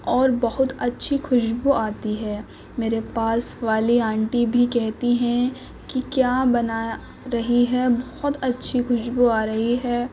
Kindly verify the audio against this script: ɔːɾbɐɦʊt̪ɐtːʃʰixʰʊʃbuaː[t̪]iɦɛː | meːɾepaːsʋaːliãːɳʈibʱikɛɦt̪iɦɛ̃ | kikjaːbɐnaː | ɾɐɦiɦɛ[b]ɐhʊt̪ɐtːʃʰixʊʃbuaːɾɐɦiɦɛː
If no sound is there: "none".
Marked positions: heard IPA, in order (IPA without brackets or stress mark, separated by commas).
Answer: t̪, b